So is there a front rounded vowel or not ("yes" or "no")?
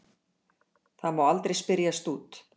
no